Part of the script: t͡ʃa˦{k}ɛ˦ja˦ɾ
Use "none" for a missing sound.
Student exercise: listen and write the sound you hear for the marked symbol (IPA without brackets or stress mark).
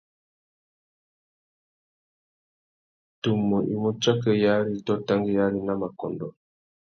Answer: k